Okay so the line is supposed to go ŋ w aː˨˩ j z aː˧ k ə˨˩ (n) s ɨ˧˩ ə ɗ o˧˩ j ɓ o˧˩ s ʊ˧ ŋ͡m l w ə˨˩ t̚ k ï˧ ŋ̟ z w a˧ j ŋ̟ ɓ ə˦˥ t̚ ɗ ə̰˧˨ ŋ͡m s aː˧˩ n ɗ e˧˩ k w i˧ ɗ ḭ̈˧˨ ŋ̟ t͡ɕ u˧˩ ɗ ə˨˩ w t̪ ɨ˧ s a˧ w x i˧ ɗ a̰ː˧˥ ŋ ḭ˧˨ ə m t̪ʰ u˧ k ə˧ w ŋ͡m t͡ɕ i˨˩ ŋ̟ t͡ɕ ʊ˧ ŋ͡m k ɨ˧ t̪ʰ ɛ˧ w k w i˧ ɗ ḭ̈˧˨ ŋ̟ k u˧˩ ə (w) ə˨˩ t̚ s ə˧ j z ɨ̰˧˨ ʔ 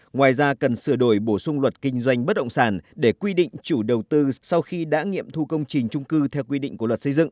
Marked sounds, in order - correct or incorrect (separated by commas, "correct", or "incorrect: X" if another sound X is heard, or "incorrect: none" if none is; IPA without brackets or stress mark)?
correct, correct